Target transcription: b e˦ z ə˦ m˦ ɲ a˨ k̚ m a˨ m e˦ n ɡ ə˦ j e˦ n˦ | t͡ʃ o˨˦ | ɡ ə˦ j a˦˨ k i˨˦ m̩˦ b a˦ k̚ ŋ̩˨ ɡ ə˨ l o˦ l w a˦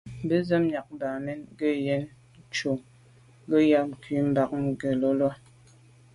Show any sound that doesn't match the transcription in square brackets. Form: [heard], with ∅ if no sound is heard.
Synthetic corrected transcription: b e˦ z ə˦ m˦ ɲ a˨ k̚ [b] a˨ m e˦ n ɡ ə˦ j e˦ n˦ | t͡ʃ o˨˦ | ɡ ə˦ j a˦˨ k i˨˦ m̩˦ b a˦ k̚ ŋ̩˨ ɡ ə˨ l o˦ l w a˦